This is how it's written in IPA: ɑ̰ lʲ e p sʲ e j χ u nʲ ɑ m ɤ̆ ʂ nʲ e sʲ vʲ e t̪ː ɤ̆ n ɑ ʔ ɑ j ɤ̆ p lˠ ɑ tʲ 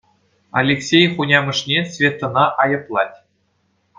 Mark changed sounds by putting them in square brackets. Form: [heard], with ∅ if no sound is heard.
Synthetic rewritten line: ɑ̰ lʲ e [k] sʲ e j χ u nʲ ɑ m ɤ̆ ʂ nʲ e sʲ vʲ e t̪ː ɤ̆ n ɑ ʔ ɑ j ɤ̆ p lˠ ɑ tʲ

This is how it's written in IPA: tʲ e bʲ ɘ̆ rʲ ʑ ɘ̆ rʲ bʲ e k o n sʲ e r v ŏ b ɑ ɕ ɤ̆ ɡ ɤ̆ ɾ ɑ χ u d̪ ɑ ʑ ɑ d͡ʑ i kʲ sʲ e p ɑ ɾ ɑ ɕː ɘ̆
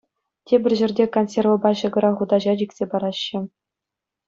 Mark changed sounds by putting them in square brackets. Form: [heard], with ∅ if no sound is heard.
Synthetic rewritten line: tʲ e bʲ ɘ̆ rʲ ʑ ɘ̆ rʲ [dʲ] e k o n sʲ e r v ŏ b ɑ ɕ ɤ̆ ɡ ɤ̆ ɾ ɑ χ u d̪ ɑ ʑ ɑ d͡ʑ i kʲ sʲ e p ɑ ɾ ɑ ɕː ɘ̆

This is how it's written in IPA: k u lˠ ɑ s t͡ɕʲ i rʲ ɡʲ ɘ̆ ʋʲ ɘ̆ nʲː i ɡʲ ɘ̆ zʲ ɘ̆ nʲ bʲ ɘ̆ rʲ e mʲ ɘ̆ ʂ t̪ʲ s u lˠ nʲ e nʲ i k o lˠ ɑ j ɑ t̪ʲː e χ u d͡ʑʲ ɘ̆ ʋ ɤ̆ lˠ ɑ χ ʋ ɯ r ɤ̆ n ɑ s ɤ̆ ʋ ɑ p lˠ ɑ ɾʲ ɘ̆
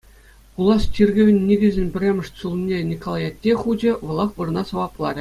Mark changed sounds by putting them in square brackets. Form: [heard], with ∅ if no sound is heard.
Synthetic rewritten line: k u lˠ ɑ s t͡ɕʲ i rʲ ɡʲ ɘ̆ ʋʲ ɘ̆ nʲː i ɡʲ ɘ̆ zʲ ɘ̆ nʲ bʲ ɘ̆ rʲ e mʲ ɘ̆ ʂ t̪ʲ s u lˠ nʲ e nʲ i k o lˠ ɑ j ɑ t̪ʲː e χ u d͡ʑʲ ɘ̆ ʋ ɤ̆ lˠ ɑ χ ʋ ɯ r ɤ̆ n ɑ s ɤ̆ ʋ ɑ p lˠ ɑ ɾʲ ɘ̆

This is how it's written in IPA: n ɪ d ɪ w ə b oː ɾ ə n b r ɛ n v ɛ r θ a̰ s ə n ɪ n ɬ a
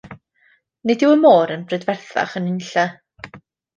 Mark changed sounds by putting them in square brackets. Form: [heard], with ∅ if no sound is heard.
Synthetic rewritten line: n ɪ d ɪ w ə [m] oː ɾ ə n b r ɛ [d] v ɛ r θ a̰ [χ] ə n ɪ n ɬ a

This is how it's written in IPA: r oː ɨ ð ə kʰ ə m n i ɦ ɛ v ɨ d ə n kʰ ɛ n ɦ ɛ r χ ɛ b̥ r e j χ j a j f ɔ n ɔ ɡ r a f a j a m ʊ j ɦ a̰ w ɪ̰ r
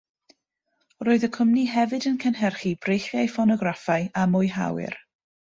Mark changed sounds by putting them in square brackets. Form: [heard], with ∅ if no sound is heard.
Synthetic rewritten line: r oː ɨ ð ə kʰ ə m n i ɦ ɛ v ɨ d ə n kʰ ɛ n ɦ ɛ r χ [i] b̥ r e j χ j a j f ɔ n ɔ ɡ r a f a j a m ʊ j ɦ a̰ w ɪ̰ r

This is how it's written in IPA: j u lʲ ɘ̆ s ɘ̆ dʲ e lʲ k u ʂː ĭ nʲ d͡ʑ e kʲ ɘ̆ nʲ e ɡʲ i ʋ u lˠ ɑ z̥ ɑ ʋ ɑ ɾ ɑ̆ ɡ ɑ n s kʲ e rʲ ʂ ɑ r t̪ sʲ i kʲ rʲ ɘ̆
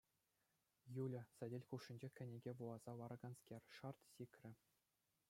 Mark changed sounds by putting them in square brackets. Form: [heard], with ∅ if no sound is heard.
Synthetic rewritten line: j u lʲ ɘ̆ s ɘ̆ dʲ e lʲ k u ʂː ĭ nʲ d͡ʑ e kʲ ɘ̆ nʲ e ɡʲ [e] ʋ u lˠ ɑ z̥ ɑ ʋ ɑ ɾ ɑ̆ ɡ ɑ n s kʲ e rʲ ʂ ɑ r t̪ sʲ i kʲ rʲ ɘ̆

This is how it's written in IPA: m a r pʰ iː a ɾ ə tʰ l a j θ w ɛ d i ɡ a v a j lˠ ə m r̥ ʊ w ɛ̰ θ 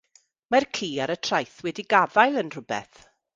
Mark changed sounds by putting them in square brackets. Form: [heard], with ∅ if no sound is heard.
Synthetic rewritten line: m a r [kʰ] iː a ɾ ə tʰ [r] a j θ w ɛ d i ɡ a v a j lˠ ə [n] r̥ ʊ [b] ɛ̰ θ

